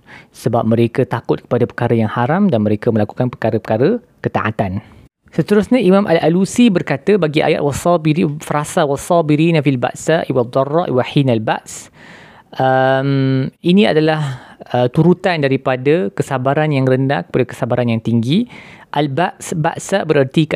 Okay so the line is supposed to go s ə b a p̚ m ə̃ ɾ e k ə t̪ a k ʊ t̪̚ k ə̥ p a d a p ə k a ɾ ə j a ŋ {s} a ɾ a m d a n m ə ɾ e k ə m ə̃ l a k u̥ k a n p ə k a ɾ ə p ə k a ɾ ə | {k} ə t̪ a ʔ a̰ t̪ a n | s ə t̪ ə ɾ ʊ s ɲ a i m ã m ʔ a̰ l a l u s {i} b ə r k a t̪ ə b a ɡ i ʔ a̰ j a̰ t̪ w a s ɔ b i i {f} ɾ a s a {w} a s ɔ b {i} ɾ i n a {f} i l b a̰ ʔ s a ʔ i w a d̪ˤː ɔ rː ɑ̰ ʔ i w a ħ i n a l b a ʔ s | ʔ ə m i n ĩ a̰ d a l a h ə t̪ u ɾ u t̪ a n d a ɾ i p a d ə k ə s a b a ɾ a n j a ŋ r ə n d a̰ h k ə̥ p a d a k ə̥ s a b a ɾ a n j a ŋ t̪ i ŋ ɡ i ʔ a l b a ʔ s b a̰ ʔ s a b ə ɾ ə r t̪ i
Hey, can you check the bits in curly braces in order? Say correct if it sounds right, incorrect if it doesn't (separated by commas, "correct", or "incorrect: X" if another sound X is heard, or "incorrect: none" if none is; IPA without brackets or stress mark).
incorrect: h, correct, correct, correct, correct, correct, correct